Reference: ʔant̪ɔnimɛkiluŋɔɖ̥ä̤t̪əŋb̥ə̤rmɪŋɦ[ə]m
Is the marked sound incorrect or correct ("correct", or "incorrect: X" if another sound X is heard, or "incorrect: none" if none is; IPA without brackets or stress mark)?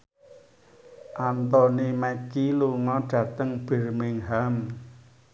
incorrect: a